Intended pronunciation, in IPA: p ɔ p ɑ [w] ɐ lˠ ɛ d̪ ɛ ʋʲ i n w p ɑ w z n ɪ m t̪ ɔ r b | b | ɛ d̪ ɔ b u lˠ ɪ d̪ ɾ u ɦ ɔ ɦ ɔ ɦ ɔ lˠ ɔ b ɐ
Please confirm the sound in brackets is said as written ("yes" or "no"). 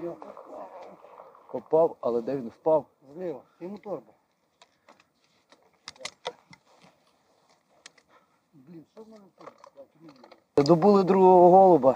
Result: yes